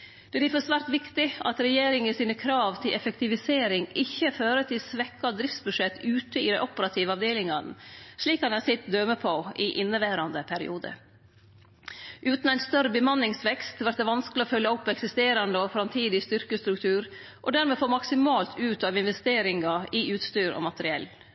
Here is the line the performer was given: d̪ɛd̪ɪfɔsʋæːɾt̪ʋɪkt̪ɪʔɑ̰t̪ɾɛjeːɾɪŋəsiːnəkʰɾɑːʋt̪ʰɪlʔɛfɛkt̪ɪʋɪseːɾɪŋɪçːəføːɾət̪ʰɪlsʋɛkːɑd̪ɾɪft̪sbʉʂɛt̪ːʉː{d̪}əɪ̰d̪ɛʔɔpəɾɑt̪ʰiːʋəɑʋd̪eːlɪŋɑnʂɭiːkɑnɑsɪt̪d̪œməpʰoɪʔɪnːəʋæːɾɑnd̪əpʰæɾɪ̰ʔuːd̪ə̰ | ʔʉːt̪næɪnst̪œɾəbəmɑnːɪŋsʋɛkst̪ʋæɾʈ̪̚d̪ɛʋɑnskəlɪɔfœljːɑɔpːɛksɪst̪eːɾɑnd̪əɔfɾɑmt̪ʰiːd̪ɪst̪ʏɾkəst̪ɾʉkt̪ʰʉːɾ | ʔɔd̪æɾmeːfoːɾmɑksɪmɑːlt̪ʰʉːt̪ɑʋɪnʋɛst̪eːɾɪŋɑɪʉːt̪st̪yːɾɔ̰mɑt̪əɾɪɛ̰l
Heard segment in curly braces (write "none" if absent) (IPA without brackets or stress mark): t̪